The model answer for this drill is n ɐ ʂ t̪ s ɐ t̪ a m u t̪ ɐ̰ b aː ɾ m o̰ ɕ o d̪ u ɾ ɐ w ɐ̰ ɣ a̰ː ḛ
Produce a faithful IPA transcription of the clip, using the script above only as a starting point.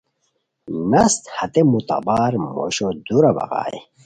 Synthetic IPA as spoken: n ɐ s t̪ h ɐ t̪ e m u t̪ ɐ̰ b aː ɾ m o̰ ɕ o d̪ u ɾ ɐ b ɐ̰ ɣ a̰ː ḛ